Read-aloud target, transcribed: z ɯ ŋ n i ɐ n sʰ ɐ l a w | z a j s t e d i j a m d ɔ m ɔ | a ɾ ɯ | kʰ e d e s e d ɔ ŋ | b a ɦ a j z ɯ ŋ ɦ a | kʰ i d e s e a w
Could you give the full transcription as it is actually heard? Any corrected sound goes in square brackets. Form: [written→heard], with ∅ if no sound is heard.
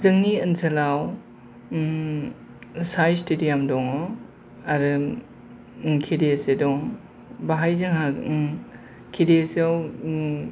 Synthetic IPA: z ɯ ŋ n i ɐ n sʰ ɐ l a w | [z→s] a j s t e d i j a m d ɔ [m→ŋ] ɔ | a ɾ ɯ | kʰ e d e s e d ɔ ŋ | b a ɦ a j z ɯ ŋ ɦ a | kʰ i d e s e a w